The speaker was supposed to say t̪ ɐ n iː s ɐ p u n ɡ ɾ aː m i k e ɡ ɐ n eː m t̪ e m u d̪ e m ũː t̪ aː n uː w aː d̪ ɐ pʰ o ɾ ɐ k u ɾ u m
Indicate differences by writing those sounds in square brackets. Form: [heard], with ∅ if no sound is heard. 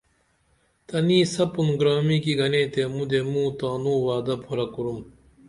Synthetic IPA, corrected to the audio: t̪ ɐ n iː s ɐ p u n ɡ ɾ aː m i k [i] ɡ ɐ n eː [∅] t̪ e m u d̪ e m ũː t̪ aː n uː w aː d̪ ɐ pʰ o ɾ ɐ k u ɾ u m